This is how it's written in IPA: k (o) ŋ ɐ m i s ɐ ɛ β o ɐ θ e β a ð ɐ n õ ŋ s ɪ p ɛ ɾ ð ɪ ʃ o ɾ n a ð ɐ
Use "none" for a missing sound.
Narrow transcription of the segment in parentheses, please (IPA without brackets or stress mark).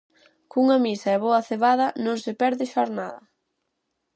u